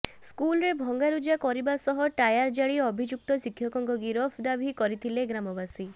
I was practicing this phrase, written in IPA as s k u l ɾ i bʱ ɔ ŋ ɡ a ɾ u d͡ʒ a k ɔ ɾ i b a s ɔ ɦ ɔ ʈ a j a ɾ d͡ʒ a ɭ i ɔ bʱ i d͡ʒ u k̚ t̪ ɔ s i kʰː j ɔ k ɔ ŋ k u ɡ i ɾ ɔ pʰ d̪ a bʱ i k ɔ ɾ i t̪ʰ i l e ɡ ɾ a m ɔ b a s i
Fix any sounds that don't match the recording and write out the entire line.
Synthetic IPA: s k u l ɾ e bʱ ɔ ŋ ɡ a ɾ u d͡ʒ a k ɔ ɾ i b a s ɔ ɦ ɔ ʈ a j a ɾ d͡ʒ a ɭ i ɔ bʱ i d͡ʒ u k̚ t̪ ɔ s i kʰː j ɔ k ɔ ŋ k ɔ ɡ i ɾ ɔ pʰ d̪ a bʱ i k ɔ ɾ i t̪ʰ i l e ɡ ɾ a m ɔ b a s i